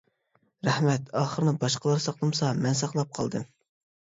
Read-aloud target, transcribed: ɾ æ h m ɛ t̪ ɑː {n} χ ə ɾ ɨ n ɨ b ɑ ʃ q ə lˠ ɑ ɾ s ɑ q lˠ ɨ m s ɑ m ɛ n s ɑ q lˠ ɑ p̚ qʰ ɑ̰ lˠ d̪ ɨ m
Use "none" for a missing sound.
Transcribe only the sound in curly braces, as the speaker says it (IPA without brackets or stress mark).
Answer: none